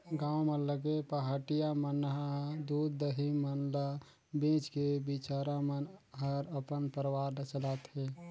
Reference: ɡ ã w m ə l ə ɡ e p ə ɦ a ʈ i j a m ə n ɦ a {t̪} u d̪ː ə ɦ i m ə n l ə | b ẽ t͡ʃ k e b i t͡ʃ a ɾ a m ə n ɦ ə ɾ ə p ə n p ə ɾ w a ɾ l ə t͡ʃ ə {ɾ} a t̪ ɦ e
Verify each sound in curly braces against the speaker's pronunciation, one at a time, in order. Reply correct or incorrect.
incorrect, incorrect

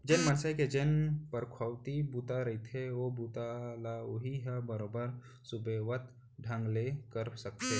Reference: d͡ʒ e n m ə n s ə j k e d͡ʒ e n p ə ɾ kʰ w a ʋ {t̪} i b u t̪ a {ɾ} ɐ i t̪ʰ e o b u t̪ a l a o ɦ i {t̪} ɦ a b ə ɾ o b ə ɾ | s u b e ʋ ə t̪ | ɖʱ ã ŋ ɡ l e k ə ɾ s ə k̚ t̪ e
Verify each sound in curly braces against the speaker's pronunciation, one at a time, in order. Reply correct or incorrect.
correct, correct, incorrect

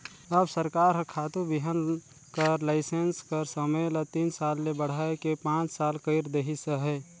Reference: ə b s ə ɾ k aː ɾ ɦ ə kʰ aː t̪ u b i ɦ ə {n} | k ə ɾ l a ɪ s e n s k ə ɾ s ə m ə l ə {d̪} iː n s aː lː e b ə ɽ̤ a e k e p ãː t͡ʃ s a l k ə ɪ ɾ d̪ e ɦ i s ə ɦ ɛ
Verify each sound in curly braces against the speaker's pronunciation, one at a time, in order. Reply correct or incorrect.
correct, incorrect

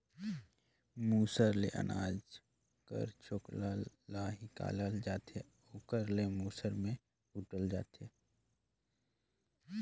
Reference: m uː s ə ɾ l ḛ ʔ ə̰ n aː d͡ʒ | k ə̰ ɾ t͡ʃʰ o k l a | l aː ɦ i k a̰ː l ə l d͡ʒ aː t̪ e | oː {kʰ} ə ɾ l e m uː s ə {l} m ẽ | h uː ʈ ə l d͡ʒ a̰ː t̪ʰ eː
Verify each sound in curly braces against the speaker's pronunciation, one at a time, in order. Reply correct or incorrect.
incorrect, incorrect

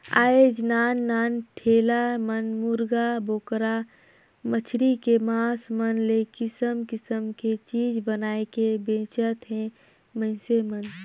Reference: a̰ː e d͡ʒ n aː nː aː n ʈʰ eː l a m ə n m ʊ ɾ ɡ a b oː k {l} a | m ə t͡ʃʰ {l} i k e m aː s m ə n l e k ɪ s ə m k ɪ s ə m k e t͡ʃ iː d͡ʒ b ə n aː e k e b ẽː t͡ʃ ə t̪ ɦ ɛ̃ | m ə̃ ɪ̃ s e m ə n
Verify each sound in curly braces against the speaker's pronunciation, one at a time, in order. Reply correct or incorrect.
incorrect, incorrect

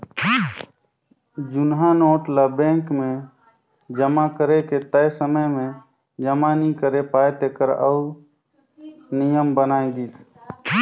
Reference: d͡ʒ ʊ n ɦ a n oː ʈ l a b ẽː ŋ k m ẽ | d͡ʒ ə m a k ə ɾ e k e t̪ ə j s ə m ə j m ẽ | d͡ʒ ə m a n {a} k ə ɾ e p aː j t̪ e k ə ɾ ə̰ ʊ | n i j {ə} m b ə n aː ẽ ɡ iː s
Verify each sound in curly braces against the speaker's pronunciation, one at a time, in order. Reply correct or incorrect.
incorrect, correct

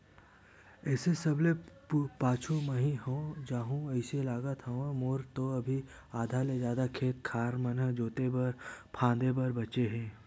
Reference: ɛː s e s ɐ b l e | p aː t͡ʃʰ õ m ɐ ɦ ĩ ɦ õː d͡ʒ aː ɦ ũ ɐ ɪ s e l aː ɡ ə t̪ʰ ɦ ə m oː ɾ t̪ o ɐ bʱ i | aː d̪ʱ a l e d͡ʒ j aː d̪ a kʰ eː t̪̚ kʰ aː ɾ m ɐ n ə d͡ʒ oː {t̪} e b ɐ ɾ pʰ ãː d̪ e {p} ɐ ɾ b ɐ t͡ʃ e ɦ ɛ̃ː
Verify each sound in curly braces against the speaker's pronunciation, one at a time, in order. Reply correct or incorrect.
correct, incorrect

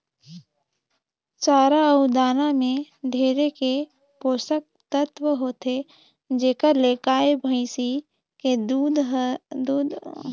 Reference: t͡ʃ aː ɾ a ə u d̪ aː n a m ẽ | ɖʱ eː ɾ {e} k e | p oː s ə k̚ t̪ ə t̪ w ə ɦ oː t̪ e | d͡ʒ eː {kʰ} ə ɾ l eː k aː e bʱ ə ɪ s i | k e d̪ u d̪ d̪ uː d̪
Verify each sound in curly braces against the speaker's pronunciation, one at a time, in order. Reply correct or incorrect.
correct, incorrect

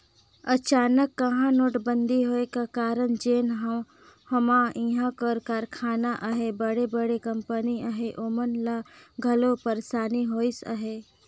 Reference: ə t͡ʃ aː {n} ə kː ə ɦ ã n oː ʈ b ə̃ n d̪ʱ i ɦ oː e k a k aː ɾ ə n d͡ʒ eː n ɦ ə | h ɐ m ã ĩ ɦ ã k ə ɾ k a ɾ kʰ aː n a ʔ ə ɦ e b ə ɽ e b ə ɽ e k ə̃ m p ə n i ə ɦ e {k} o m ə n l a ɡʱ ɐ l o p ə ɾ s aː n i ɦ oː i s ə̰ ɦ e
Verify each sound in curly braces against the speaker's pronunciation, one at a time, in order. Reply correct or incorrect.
correct, incorrect

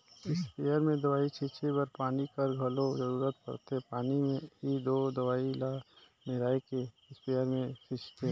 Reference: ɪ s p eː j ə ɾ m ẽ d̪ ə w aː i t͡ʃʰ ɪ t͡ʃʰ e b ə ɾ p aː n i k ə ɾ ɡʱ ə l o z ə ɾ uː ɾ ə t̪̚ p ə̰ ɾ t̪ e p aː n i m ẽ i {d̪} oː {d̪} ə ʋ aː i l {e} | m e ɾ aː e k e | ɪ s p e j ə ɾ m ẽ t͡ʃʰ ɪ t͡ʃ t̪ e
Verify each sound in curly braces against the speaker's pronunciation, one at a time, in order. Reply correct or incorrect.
correct, correct, incorrect

